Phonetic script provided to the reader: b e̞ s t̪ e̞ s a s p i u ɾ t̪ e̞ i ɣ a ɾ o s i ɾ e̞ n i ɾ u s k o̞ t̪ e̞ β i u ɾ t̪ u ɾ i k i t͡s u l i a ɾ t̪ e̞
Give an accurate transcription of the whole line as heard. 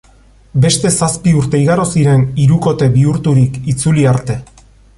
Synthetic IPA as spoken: b e̞ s t̪ e̞ s a s p i u ɾ t̪ e̞ i ɣ a ɾ o s i ɾ e̞ n i ɾ u k o̞ t̪ e̞ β i u ɾ t̪ u ɾ i k i t͡s u l i a ɾ t̪ e̞